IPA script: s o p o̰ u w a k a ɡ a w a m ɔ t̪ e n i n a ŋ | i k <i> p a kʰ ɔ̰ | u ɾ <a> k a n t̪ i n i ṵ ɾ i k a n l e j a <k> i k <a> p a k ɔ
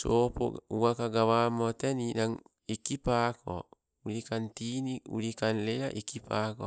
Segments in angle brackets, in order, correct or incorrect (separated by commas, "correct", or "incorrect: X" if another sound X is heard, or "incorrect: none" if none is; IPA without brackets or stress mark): correct, incorrect: i, incorrect: ʔ, incorrect: i